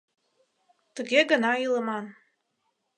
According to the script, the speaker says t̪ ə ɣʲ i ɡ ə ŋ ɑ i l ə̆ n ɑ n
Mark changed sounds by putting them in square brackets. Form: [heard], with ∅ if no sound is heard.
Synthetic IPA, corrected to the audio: t̪ ə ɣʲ [e] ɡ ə [n] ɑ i l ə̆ [m] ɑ n